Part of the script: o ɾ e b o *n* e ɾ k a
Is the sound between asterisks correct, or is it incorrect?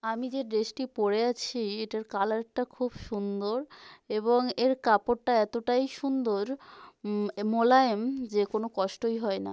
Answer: incorrect